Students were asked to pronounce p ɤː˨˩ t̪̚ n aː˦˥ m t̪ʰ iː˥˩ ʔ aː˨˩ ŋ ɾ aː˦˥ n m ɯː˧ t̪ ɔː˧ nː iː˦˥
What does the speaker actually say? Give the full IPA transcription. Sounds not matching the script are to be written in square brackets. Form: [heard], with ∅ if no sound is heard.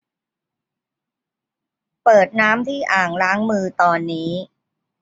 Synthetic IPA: p ɤː˨˩ t̪̚ n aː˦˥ m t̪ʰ iː˥˩ ʔ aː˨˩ ŋ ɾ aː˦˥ [ŋ] m ɯː˧ t̪ ɔː˧ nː iː˦˥

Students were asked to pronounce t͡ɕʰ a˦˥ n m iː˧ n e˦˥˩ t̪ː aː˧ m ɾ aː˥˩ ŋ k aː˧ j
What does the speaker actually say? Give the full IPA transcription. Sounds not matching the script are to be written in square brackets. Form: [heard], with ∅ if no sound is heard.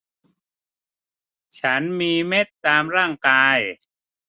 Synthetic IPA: t͡ɕʰ a˦˥ n m iː˧ [m] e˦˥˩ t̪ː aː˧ m ɾ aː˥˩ ŋ k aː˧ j

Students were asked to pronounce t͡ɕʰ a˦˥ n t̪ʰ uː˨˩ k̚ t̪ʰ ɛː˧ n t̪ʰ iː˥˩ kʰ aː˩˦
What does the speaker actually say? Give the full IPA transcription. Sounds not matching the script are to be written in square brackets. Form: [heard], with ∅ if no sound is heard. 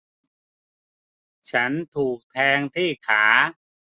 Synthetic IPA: t͡ɕʰ a˦˥ n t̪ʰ uː˨˩ k̚ t̪ʰ ɛː˧ [ŋ] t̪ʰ iː˥˩ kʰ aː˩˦

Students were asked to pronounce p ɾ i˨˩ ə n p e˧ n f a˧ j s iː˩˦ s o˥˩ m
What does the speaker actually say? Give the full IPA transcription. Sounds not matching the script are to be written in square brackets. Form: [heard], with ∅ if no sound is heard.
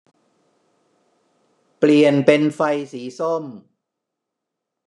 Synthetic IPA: p [l] i˨˩ ə n p e˧ n f a˧ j s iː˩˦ s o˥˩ m

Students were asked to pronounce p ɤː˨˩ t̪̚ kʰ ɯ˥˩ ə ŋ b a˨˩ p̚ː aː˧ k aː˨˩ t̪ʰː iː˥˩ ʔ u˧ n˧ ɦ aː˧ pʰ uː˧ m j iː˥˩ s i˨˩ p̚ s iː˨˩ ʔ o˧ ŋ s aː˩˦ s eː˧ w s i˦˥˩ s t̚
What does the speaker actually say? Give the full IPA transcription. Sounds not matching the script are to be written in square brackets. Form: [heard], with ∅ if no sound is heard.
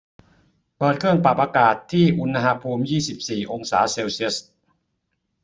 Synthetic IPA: p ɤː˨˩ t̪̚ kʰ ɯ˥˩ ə ŋ [p] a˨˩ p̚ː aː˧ k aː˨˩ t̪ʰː iː˥˩ ʔ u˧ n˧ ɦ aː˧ pʰ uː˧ m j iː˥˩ s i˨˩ p̚ s iː˨˩ ʔ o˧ ŋ s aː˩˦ s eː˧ w s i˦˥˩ s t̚

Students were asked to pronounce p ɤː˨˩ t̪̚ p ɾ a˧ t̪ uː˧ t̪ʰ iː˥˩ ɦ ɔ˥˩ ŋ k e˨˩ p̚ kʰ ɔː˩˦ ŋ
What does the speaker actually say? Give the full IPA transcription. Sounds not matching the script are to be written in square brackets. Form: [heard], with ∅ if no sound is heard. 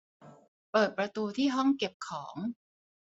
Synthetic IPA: p ɤː˨˩ t̪̚ p ɾ a˧ t̪ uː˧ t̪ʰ iː˥˩ ɦ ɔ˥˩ ŋ k e˨˩ p̚ kʰ ɔː˩˦ ŋ

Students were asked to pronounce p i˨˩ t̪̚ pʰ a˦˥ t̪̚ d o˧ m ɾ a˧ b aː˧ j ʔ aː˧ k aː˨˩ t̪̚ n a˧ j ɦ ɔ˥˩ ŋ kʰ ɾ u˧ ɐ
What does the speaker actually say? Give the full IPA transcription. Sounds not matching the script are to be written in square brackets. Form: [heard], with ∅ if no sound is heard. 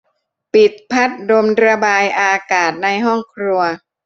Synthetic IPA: p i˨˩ t̪̚ pʰ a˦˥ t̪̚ d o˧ m ɾ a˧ b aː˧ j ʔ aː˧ k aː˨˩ t̪̚ n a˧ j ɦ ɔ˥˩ ŋ kʰ ɾ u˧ ɐ

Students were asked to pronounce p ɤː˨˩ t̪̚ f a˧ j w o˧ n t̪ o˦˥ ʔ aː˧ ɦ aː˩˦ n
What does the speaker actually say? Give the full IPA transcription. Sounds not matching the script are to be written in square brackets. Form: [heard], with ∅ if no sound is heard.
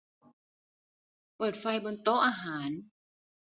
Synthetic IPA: p ɤː˨˩ t̪̚ f a˧ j [b] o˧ n t̪ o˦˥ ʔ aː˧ ɦ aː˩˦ n

